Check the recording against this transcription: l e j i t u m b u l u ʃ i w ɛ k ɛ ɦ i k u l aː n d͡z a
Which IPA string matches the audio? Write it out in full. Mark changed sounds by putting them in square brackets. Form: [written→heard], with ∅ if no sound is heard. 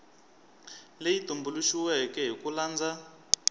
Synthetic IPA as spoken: l e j i t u m b u l u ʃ i w ɛ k ɛ ɦ i k u l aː n d͡z a